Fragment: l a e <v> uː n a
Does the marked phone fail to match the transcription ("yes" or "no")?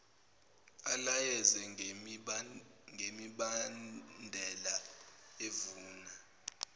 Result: no